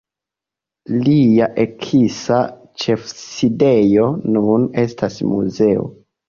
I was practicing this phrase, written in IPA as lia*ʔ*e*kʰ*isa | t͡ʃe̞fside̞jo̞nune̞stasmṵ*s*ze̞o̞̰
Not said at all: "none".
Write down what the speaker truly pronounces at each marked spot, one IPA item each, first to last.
ʔ, kʰ, none

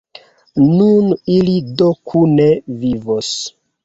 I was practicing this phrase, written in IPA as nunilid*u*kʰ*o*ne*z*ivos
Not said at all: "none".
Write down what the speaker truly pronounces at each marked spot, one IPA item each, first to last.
o, u, v

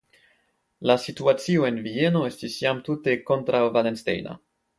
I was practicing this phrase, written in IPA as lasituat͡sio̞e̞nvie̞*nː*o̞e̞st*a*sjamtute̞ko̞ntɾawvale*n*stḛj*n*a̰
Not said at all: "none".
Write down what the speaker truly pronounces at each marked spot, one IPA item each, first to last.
n, i, n, n

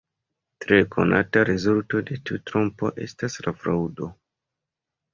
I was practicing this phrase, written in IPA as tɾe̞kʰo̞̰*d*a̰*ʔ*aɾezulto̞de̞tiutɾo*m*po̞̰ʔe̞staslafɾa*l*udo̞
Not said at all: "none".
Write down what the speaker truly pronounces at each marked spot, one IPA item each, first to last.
n, t, m, none

